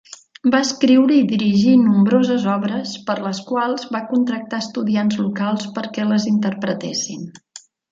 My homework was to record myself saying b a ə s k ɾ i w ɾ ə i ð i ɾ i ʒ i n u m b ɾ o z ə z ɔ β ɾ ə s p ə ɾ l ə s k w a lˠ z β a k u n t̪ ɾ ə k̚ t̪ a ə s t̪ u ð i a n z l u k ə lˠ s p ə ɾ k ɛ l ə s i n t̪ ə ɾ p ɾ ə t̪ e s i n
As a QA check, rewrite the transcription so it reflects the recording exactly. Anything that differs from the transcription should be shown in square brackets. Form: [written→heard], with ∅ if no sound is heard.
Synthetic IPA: b a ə s k ɾ i w ɾ ə i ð i ɾ i ʒ i n u m b ɾ o z ə z ɔ β ɾ ə s p ə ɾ l ə s k w a lˠ z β a k u n t̪ ɾ ə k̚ t̪ a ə s t̪ u ð i a n z l u k [ə→a] lˠ s p ə ɾ k ɛ l ə [s→z] i n t̪ ə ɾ p ɾ ə t̪ e s i n